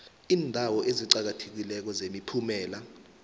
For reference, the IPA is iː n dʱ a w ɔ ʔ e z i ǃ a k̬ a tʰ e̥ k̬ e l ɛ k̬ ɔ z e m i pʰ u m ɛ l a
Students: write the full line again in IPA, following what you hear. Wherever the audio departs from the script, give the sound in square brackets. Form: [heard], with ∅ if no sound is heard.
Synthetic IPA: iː n dʱ a w ɔ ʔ e z i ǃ a k̬ a tʰ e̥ k̬ [i] l ɛ k̬ ɔ z e m i pʰ u m [ɛː] l a

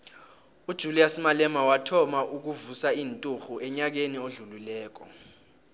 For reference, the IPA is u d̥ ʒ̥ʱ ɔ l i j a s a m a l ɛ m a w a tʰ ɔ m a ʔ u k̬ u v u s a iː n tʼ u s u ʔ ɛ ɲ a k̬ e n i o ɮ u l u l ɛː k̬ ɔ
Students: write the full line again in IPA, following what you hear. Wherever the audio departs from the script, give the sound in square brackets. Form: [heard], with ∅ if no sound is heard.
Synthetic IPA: u d̥ ʒ̥ʱ [u] l i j a s [i] m a l ɛ m a w a tʰ ɔ m a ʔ u k̬ u v u s a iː n tʼ u [x] u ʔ ɛ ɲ a k̬ e n i o ɮ u l u l ɛː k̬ ɔ

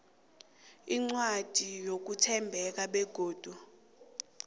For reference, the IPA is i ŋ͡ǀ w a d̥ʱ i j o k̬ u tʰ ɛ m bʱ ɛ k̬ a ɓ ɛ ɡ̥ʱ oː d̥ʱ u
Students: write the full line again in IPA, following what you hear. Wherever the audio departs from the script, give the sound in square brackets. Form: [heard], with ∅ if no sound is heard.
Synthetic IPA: i ŋ͡ǀ w a d̥ʱ i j o k̬ u tʰ ɛ m bʱ ɛ k̬ a ɓ ɛ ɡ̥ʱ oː d̥ʱ u

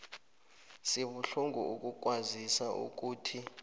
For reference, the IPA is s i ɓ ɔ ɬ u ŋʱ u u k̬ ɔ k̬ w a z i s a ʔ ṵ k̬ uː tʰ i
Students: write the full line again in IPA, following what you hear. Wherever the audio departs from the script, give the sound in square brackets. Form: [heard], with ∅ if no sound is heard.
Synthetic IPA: s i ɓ [u] ɬ u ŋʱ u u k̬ [u] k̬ w a z i s a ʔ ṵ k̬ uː tʰ i

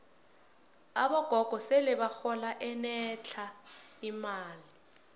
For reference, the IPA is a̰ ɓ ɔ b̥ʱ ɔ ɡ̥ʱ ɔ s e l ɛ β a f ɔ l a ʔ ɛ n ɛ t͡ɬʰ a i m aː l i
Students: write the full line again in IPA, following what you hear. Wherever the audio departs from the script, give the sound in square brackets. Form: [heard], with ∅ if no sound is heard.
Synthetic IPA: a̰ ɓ ɔ [ɡ̥ʱ] ɔ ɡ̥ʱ ɔ s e l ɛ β a [x] ɔ l a ʔ ɛ n ɛ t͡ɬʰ a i m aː l i

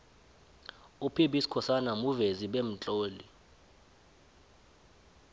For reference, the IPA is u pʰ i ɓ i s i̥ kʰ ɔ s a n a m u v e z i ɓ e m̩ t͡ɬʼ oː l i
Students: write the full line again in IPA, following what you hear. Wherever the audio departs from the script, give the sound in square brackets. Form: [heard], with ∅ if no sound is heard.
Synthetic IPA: u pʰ i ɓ i s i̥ kʰ ɔ s a n a m u v e z i ɓ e m̩ t͡ɬʼ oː l i

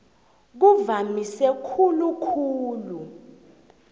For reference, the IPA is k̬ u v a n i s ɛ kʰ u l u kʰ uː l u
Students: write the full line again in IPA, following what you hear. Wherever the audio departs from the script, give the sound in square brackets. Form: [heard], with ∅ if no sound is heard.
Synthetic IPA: k̬ u v a [m] i s ɛ kʰ u l u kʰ uː l u

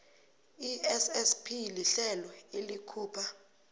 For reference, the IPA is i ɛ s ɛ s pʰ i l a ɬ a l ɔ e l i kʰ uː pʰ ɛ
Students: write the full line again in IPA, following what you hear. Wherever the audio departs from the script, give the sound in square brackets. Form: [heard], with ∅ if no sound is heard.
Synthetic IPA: i ɛ s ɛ s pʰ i l [i] ɬ [ɛ] l ɔ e l i kʰ uː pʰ [a]

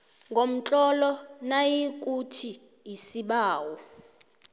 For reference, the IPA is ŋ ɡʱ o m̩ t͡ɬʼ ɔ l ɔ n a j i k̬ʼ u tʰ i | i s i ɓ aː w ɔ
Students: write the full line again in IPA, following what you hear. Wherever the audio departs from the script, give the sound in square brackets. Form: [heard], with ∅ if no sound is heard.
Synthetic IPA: ŋ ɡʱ o m̩ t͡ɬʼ ɔ l ɔ n a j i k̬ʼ u tʰ i | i s i ɓ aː w ɔ

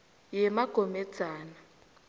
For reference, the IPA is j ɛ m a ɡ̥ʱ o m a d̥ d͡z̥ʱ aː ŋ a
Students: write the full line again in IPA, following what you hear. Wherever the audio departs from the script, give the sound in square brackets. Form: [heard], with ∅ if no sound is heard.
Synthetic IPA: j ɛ m a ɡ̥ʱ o m [ɛ] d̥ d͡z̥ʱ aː [n] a

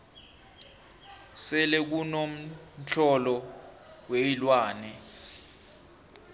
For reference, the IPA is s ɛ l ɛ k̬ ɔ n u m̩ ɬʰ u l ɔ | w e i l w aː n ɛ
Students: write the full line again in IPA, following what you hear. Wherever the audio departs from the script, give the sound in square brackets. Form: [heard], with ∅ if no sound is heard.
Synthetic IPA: s ɛ l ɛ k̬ [u] n [o] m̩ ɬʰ [ɔ] l ɔ | w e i l w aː n ɛ

